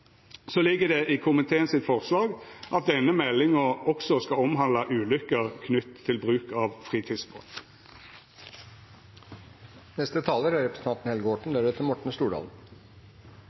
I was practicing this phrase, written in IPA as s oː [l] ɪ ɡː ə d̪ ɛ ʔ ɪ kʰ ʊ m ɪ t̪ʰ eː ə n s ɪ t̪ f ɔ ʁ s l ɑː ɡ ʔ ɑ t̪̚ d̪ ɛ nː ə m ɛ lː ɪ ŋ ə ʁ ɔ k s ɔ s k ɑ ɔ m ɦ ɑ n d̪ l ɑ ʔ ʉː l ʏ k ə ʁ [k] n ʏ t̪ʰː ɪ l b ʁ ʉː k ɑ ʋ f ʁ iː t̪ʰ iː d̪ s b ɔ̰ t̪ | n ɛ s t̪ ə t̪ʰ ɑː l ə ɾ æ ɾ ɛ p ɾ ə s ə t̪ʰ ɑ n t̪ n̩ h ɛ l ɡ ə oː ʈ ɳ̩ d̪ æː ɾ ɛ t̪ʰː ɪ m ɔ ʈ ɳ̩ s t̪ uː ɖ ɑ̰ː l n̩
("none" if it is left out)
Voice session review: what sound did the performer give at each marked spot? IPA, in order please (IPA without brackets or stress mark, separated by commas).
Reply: l, kʰ